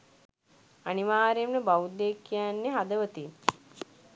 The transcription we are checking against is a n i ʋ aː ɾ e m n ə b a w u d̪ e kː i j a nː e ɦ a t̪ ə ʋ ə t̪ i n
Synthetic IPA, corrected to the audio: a n i ʋ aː ɾ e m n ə b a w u d̪ e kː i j a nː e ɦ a d̪ ə ʋ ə t̪ i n